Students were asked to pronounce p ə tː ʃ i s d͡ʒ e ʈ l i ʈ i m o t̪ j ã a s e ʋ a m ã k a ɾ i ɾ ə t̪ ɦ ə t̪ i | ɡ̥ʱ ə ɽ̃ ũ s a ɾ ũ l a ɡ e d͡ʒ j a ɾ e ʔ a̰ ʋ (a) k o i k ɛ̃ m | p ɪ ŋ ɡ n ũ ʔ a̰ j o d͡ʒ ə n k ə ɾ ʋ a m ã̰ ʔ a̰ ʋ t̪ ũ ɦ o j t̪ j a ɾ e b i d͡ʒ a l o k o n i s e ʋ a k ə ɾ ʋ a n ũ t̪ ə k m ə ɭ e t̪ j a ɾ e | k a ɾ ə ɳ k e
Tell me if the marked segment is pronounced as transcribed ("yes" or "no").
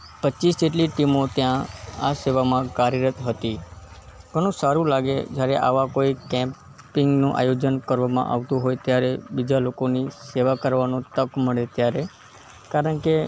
yes